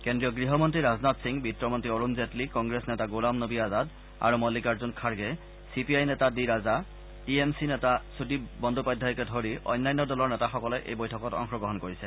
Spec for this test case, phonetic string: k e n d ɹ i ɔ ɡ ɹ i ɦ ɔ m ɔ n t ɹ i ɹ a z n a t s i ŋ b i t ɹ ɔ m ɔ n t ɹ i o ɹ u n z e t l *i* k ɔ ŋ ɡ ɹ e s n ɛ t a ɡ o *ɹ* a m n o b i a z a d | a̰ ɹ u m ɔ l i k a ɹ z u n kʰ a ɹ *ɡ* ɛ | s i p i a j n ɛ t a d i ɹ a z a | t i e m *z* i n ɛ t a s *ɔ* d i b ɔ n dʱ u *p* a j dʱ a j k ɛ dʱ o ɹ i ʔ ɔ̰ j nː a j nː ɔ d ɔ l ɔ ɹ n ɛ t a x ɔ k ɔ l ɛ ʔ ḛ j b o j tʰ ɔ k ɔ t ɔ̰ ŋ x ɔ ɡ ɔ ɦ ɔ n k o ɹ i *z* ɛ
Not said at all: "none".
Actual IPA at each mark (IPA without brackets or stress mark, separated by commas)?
i, l, ɡ, s, u, p, s